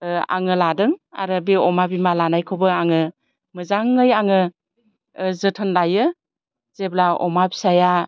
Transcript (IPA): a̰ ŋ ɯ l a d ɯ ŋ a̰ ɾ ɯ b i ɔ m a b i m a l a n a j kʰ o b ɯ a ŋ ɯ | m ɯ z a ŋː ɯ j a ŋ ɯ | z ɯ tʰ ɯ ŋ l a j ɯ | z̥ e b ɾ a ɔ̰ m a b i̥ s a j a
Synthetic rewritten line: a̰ ŋ ɯ l a d ɯ ŋ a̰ ɾ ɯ b i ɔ m a b i m a l a n a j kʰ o b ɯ a ŋ ɯ | m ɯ z a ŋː ɯ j a ŋ ɯ | z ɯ tʰ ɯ n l a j ɯ | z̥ e b l a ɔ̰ m a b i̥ s a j a

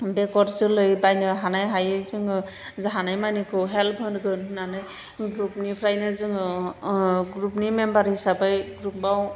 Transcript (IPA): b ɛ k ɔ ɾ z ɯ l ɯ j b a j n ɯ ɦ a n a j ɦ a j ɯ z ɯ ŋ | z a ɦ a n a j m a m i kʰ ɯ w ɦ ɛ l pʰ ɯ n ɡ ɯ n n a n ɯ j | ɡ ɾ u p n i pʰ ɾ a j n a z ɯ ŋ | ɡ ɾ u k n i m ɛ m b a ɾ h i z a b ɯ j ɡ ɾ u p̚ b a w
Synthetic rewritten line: b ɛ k ɔ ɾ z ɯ l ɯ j b a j n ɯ ɦ a n a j ɦ a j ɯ z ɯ ŋ | z a ɦ a n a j m a n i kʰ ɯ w ɦ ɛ l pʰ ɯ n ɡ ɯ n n a n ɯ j | ɡ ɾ u p n i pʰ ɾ a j n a z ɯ ŋ | ɡ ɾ u p n i m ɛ m b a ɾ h i s a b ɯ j ɡ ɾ u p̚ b a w

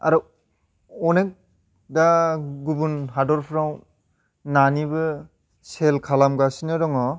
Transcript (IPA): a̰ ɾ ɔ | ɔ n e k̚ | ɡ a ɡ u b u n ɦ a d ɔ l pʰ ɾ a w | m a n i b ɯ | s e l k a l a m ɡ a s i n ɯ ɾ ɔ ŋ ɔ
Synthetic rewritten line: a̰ ɾ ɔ | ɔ n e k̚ | d a ɡ u b u n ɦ a d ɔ ɾ pʰ ɾ a w | n a n i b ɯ | s e l kʰ a l a m ɡ a s i n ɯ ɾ ɔ ŋ ɔ

